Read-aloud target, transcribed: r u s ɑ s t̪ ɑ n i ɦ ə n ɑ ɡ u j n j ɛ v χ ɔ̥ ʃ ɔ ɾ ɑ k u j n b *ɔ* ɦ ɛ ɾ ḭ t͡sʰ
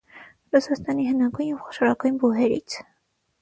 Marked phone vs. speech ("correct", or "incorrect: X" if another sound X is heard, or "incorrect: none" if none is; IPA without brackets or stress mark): incorrect: u